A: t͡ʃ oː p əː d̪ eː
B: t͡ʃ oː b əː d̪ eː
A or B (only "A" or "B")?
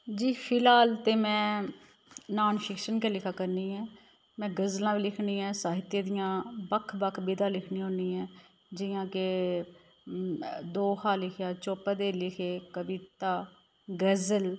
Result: A